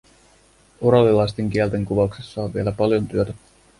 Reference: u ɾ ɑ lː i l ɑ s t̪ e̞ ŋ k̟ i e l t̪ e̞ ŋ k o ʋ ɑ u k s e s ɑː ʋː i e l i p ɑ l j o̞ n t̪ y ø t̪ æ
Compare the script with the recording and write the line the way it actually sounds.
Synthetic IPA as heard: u ɾ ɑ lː i l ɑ s t̪ e̞ ŋ k̟ i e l t̪ e̞ ŋ k u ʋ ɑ u k s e sː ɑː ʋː i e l æ p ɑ l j o̞ n t̪ y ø t̪ æ